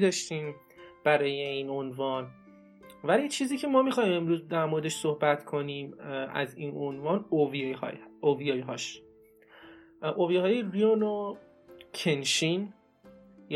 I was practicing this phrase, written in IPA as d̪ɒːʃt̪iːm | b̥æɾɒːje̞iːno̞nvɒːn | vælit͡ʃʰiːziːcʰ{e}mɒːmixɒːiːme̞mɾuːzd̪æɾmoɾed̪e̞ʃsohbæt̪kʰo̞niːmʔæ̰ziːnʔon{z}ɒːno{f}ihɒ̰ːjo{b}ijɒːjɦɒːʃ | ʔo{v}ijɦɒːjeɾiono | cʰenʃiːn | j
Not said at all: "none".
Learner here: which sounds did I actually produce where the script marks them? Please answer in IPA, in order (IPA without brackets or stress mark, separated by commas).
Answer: e, v, v, v, v